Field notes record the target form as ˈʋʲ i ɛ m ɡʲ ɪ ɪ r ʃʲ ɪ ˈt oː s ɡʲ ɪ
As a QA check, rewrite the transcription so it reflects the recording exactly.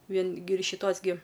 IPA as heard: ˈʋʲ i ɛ n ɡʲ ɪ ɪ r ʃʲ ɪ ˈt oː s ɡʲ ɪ